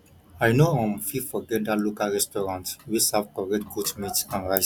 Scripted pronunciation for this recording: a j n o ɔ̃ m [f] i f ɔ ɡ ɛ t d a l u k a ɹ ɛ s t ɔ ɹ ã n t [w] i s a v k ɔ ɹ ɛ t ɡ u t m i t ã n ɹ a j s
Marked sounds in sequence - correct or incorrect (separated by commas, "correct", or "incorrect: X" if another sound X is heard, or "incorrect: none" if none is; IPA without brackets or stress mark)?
correct, correct